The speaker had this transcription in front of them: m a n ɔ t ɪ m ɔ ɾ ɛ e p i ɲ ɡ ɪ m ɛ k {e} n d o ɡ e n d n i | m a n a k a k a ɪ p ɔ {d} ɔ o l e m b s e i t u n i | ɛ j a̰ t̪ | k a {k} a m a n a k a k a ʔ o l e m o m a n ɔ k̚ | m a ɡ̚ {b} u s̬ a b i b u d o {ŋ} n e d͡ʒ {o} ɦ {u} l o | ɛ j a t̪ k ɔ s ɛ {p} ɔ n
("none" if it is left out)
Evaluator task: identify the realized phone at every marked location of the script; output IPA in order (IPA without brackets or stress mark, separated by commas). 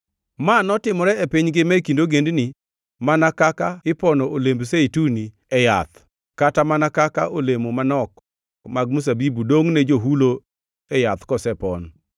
i, n, t, m, ŋ, o, u, p